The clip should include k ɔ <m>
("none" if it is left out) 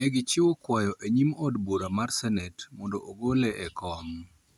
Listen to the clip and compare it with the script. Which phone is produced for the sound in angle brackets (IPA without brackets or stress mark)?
ŋ